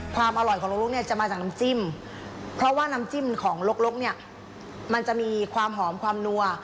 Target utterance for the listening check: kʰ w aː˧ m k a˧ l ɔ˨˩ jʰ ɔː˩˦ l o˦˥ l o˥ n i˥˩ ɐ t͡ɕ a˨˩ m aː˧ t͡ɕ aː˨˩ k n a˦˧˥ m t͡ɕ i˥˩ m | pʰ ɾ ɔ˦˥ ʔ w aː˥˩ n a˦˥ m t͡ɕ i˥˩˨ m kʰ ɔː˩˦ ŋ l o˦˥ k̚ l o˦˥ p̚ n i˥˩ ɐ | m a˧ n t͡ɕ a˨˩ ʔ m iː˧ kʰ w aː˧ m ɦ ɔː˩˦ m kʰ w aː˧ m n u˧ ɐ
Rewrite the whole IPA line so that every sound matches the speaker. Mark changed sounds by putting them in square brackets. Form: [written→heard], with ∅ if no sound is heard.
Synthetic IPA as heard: kʰ w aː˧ m [k→ʔ] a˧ l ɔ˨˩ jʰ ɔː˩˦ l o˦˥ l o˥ n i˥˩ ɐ t͡ɕ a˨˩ m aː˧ t͡ɕ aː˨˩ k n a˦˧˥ m t͡ɕ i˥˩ m | pʰ ɾ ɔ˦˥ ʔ w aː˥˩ n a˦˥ m t͡ɕ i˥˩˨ m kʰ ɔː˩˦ ŋ l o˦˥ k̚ l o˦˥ [p̚→k̚] n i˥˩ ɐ | m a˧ n t͡ɕ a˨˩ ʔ m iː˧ kʰ w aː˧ m ɦ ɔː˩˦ m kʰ w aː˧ m n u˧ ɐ